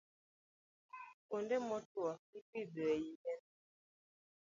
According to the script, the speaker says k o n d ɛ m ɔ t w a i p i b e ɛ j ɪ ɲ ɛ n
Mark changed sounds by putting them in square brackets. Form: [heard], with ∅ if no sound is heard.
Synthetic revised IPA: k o n d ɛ m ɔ t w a i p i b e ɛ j [i] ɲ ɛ n